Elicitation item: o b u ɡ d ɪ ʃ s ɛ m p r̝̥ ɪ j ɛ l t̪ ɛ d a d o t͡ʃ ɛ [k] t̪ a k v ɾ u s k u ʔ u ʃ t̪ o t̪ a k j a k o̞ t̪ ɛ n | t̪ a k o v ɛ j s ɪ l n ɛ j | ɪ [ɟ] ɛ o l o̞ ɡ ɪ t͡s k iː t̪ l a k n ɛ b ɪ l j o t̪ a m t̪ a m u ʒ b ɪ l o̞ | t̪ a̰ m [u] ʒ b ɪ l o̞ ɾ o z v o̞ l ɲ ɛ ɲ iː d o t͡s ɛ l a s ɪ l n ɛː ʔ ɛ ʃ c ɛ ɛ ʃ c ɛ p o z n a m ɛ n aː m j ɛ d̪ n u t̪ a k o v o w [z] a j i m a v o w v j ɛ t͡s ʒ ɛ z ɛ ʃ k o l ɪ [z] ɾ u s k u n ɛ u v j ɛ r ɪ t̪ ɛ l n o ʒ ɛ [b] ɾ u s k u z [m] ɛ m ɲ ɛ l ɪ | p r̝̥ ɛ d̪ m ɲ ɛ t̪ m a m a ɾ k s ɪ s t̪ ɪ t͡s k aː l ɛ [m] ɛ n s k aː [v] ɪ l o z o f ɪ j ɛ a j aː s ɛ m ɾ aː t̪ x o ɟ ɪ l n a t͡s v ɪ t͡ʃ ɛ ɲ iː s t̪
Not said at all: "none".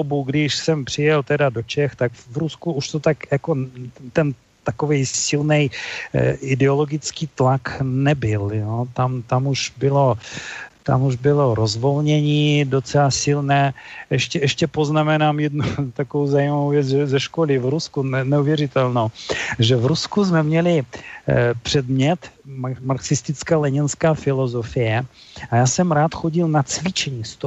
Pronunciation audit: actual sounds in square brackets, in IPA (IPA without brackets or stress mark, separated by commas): x, d, u, z, v, v, m, ɲ, f